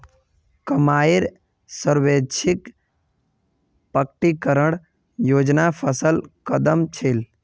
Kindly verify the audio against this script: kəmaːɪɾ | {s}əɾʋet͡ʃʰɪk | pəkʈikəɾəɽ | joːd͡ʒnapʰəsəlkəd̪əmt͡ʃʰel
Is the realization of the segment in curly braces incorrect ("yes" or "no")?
no